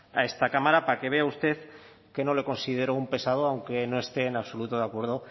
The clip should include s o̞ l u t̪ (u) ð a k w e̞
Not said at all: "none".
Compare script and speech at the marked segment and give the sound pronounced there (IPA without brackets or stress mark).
o